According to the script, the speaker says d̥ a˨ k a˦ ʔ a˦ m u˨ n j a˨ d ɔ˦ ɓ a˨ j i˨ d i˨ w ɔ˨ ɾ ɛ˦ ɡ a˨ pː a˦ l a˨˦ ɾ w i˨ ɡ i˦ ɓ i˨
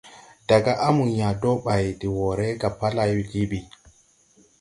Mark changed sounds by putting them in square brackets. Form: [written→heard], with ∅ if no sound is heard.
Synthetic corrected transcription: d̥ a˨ [k→ɡ] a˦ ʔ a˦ m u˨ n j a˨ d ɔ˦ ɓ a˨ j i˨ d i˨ w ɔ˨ ɾ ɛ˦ ɡ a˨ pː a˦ l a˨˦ [ɾ→∅] w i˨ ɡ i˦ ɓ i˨